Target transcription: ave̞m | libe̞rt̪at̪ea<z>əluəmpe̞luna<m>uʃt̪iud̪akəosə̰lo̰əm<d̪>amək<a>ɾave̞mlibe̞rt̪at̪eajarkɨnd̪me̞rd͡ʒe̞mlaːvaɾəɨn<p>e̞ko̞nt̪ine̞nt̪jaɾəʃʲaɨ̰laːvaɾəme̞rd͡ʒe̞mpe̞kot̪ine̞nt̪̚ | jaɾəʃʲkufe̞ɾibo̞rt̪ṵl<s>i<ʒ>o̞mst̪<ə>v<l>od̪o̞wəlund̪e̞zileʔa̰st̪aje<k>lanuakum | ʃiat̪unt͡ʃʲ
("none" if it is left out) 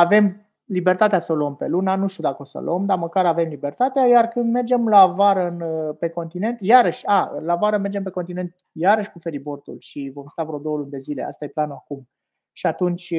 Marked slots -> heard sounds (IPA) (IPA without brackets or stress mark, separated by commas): s, n, d̪, a, p, ʃ, v, a, ɾ, p